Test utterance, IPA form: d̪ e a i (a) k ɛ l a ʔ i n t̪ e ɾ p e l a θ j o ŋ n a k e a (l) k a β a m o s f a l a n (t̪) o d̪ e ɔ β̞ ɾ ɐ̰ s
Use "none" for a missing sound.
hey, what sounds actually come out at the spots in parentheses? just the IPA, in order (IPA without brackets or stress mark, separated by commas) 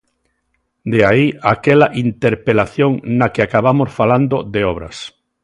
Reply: a, none, d̪